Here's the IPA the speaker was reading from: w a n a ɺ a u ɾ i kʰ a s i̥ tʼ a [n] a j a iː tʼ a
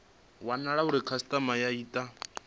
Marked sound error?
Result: yes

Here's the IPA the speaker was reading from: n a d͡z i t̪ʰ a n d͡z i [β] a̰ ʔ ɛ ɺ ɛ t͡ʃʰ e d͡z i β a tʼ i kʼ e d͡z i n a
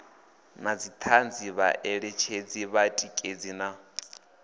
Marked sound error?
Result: no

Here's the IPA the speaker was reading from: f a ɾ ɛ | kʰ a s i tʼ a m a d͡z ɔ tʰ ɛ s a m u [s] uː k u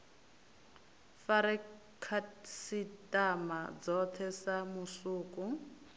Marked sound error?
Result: no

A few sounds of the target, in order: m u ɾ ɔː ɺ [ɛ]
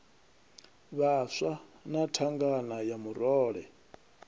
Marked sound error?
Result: no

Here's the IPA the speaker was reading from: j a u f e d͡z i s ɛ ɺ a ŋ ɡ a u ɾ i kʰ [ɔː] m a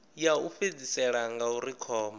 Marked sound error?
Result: no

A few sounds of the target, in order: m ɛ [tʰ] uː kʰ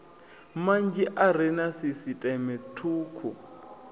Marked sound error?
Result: no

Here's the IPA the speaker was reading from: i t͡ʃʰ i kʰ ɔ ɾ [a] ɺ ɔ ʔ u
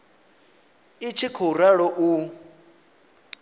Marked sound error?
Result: no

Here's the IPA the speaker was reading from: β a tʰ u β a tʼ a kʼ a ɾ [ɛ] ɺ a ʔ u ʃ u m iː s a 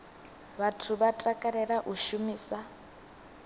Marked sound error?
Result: no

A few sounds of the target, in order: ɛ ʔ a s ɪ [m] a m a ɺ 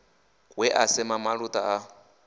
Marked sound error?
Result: no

